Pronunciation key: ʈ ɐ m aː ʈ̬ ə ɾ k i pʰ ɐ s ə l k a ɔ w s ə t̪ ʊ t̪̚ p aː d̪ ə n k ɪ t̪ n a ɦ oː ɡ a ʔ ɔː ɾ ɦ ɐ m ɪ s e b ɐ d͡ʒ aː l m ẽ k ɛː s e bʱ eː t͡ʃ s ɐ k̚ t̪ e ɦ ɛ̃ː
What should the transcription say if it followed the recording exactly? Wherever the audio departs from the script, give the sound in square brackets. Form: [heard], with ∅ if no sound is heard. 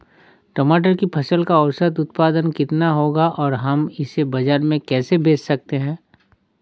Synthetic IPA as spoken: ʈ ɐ m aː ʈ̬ ə ɾ k i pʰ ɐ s ə l k a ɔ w s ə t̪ ʊ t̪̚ p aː d̪ ə n k ɪ t̪ n a ɦ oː ɡ a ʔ ɔː ɾ ɦ ɐ m ɪ s e b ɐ d͡ʒ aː [ɾ] m ẽ k ɛː s e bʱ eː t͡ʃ s ɐ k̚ t̪ e ɦ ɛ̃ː